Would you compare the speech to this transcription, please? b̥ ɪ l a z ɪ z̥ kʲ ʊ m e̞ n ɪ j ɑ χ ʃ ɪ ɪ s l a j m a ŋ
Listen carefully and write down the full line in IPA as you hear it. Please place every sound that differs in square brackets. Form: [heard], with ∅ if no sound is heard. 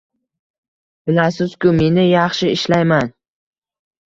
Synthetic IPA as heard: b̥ ɪ l a [s] ɪ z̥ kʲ ʊ m e̞ n ɪ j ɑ χ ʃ ɪ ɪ [ʃ] l a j m a [n]